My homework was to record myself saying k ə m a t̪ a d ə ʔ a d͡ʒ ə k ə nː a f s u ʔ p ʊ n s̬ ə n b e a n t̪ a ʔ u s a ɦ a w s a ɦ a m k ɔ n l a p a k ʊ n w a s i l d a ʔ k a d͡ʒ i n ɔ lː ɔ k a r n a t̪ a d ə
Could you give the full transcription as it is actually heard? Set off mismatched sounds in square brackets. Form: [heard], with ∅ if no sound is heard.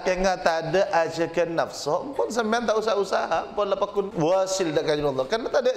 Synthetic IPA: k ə [ŋ] a t̪ a d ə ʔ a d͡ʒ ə k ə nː a f s [ɔ] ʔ p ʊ n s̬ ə [m] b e a n t̪ a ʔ u s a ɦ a [u] s a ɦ a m [p] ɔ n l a p a k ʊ n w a s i l d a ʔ k a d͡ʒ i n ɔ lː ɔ k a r n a t̪ a d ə